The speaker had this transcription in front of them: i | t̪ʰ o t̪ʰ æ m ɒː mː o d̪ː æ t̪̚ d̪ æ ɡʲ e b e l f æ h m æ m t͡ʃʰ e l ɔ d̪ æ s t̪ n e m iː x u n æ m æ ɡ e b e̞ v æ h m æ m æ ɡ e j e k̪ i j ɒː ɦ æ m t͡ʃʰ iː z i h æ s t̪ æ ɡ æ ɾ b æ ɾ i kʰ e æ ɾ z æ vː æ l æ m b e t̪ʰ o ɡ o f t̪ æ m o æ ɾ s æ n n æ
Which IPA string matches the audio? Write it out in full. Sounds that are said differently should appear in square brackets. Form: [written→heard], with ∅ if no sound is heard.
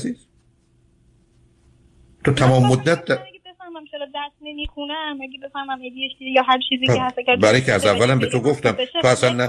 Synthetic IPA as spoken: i | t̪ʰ o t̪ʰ æ m ɒː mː o d̪ː æ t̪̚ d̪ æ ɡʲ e b e [l→∅] f æ h m æ m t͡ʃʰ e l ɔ d̪ æ s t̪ n e m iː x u n æ m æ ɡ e b e̞ [v→f] æ h m æ m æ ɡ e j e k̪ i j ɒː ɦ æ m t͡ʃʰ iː z i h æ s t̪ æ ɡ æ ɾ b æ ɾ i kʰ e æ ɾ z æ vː æ l æ m b e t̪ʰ o ɡ o f t̪ æ m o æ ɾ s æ n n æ